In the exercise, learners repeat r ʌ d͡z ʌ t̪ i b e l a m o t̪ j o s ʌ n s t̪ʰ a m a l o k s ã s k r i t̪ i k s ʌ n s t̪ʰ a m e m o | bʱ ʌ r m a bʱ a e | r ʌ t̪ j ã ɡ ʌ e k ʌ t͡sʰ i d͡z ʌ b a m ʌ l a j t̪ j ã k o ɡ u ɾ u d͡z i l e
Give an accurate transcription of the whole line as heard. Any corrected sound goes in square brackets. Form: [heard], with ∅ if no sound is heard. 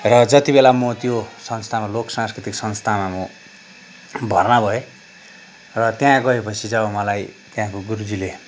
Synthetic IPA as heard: r ʌ d͡z ʌ t̪ i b e l a m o t̪ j o s ʌ n s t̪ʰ a m a l o k s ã s k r i t̪ i k s ʌ n s t̪ʰ a m [a] m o | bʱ ʌ r [n] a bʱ [ʌ] e | r ʌ t̪ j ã ɡ ʌ e [p] ʌ t͡sʰ i d͡z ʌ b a m ʌ l a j t̪ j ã k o ɡ u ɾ u d͡z i l e